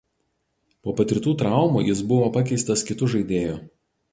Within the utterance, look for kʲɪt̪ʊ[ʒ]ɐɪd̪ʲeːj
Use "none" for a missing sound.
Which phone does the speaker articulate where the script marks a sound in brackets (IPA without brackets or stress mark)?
ʒ